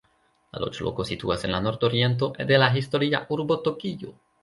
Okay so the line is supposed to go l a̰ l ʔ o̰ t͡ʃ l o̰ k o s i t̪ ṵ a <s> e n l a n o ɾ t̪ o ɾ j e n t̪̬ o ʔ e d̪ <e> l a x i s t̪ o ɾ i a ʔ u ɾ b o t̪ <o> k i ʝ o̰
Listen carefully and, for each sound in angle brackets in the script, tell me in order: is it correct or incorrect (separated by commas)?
correct, correct, correct